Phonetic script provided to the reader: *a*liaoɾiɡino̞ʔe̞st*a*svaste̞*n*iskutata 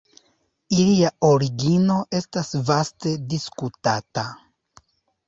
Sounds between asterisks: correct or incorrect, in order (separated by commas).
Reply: incorrect, correct, incorrect